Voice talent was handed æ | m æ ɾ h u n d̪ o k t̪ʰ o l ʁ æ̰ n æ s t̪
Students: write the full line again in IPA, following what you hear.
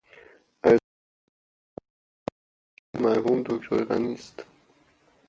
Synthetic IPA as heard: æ | m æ ɾ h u m d̪ o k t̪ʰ o ɾ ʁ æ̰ n i s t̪